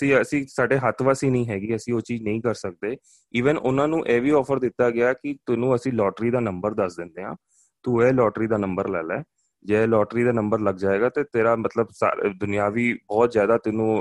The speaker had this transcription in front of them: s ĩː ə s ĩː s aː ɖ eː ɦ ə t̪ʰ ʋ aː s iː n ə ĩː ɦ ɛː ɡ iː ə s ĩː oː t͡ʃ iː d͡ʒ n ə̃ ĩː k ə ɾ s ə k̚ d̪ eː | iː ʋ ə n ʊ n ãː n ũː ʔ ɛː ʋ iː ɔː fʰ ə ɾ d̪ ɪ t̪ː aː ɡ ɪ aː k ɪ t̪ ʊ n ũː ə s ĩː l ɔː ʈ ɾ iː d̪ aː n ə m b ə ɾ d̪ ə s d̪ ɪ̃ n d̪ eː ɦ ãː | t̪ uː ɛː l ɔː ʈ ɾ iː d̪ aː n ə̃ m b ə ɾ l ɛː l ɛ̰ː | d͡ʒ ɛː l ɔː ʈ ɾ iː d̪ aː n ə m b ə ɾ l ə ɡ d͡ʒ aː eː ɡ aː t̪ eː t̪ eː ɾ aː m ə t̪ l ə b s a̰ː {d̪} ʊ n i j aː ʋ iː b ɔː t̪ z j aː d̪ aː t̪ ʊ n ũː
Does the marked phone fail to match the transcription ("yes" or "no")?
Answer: no